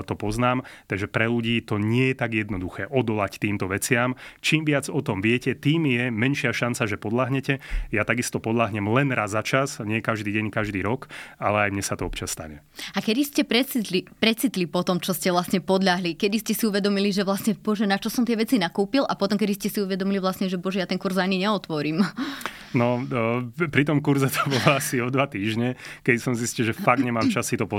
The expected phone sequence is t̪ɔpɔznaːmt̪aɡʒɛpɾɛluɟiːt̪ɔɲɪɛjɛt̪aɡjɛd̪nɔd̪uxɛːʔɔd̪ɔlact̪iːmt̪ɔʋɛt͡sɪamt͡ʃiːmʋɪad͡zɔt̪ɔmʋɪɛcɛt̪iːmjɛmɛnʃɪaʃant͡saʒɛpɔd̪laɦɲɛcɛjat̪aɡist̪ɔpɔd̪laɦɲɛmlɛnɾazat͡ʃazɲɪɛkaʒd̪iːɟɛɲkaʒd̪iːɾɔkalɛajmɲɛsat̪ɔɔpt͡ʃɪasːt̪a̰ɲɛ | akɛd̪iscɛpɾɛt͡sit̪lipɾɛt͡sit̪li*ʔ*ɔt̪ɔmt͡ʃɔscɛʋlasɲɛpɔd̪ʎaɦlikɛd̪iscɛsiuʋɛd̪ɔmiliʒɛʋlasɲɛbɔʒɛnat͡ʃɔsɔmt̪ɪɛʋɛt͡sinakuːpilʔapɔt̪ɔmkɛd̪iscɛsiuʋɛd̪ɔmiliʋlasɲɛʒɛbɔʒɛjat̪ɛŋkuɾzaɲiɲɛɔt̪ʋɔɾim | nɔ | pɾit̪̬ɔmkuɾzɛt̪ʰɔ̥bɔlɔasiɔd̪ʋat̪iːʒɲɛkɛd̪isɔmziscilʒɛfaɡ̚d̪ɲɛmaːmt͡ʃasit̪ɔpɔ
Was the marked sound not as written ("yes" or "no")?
yes